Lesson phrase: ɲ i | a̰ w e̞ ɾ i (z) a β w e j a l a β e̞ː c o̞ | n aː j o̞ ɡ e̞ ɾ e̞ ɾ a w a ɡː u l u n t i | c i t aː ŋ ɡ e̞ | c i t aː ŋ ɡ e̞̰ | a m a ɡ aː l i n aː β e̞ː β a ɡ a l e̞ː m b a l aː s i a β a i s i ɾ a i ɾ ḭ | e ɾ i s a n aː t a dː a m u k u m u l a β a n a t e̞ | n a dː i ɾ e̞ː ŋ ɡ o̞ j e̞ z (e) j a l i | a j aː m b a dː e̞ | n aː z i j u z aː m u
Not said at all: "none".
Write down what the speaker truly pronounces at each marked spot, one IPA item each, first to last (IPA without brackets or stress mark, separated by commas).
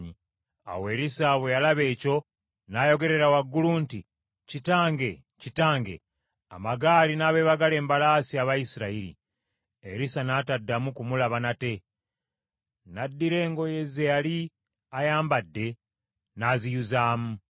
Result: s, e